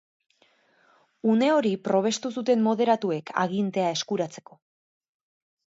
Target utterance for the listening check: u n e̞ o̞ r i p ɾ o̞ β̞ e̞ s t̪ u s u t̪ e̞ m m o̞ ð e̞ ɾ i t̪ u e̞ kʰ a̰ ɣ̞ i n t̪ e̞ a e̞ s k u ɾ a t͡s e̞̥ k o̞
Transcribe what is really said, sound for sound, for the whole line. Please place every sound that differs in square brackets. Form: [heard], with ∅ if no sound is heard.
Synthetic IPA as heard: u n e̞ o̞ [ɾ] i p ɾ o̞ β̞ e̞ s t̪ u s u t̪ e̞ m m o̞ ð e̞ ɾ [a] t̪ u e̞ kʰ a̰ ɣ̞ i n t̪ e̞ a e̞ s k u ɾ a t͡s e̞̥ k o̞